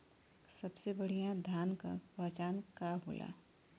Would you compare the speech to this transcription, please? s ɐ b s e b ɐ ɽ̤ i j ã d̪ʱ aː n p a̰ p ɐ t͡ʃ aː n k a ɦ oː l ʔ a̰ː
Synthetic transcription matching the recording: s ɐ b s e b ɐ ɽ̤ i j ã d̪ʱ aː n k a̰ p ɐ t͡ʃ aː n k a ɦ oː l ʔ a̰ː

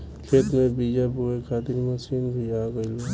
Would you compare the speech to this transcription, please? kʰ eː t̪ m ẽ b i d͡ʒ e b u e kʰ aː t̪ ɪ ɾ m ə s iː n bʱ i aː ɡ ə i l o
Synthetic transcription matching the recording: kʰ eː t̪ m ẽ b i d͡ʒ a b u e kʰ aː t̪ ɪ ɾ m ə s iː n bʱ i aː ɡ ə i l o

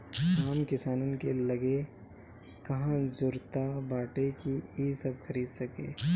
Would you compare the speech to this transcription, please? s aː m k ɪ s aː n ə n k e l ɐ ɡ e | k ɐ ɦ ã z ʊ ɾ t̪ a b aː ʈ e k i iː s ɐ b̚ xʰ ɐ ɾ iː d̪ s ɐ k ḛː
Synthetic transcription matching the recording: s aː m k ɪ s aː n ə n k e l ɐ ɡ e | k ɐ ɦ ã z ʊ ɾ t̪ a b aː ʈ e k i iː s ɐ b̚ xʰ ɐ ɾ iː d̪ s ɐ k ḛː

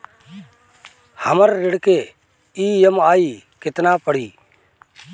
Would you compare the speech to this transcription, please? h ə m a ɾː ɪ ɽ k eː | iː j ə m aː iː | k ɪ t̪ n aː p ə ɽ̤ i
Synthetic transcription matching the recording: h ə m ə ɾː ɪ ɽ k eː | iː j ə m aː iː | k ɪ t̪ n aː p ə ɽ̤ iː

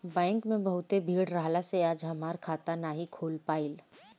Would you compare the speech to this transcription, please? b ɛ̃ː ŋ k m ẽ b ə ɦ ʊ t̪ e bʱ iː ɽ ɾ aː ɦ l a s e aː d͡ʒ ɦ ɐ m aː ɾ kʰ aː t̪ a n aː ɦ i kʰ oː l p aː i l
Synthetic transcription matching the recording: b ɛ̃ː ŋ k m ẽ b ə ɦ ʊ t̪ e bʱ iː ɽ ɾ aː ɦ l a s e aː d͡ʒ ɦ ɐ m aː ɾ kʰ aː t̪ a n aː ɦ i kʰ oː l p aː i l

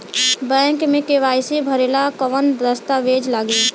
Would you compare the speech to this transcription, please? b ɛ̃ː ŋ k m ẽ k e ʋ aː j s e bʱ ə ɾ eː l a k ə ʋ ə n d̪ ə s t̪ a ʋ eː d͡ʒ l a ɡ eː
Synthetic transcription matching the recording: b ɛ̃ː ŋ k m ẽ k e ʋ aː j s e bʱ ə ɾ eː l a k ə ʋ ə n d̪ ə s t̪ a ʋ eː d͡ʒ l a ɡ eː

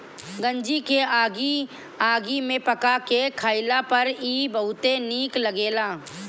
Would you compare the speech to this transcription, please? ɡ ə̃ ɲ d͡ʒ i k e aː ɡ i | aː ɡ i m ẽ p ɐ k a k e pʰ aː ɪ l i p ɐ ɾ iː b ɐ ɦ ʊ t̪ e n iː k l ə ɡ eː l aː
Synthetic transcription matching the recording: ɡ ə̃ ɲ d͡ʒ i k e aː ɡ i | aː ɡ i m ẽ p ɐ k a k e kʰ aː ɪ l a p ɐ ɾ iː b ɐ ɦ ʊ t̪ e n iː k l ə ɡ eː l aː

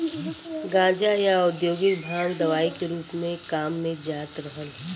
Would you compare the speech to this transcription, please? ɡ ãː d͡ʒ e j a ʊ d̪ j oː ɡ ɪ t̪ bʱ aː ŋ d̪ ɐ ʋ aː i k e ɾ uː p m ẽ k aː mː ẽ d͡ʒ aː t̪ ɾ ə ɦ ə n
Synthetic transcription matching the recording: ɡ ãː d͡ʒ a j a ʊ d̪ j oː ɡ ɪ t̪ bʱ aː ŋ d̪ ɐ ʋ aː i k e ɾ uː p m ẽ k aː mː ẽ d͡ʒ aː t̪ ɾ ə ɦ ə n

